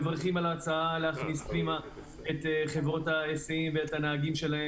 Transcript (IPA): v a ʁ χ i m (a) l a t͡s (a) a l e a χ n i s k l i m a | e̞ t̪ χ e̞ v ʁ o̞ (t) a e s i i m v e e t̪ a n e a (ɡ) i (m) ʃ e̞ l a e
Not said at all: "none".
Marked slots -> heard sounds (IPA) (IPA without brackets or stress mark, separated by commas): a, a, t, ɡ, m